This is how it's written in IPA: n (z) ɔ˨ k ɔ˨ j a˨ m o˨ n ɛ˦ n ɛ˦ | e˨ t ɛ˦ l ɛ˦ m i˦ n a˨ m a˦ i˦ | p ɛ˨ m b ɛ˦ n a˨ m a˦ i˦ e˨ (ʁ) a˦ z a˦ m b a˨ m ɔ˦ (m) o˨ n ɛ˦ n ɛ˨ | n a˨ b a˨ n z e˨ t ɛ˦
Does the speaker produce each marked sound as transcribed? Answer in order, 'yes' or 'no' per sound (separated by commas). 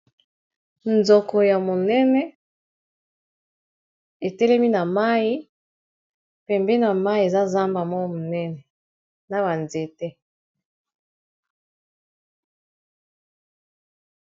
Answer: yes, no, yes